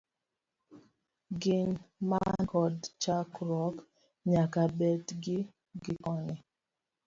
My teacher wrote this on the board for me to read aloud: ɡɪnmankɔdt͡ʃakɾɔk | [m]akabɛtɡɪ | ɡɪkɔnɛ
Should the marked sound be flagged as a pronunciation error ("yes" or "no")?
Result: yes